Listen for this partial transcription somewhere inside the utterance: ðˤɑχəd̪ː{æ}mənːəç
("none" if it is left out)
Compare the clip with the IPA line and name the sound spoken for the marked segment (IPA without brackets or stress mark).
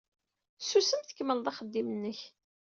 i